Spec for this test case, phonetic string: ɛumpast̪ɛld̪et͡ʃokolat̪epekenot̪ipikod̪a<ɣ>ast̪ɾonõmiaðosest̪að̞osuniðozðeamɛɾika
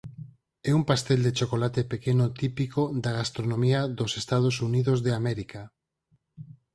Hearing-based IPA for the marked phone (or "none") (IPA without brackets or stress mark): ɣ